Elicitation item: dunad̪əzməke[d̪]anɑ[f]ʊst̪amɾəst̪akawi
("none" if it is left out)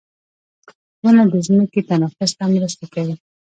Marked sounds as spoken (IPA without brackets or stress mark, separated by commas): t̪, f